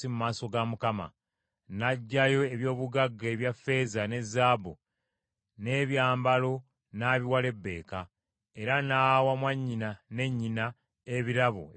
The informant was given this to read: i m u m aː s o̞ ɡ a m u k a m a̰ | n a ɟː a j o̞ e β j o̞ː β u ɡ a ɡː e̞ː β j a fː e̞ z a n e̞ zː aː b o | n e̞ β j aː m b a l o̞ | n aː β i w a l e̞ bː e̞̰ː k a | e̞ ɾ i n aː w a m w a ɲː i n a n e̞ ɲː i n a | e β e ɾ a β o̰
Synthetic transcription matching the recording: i m u m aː s o̞ ɡ a m u k a m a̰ | n a ɟː a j o̞ e β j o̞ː β u ɡ a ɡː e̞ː β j a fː e̞ z a n e̞ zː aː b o | n e̞ β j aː m b a l o̞ | n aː β i w a l e̞ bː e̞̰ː k a | e̞ ɾ a n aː w a m w a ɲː i n a n e̞ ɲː i n a | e β i ɾ a β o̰